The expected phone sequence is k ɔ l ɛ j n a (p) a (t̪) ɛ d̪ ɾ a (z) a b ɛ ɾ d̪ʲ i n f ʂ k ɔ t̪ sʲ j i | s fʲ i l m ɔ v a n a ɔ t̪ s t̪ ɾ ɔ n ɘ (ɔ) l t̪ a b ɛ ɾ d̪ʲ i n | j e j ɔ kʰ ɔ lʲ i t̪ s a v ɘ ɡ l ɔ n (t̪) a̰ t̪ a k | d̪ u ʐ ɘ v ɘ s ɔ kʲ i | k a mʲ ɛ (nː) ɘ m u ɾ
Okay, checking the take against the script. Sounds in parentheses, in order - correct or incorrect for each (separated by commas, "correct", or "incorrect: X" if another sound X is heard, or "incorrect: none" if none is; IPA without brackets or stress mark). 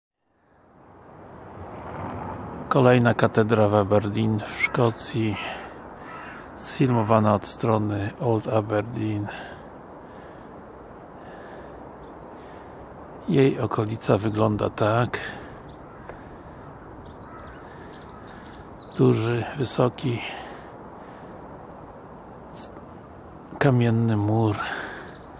incorrect: k, correct, incorrect: v, correct, incorrect: d̪, correct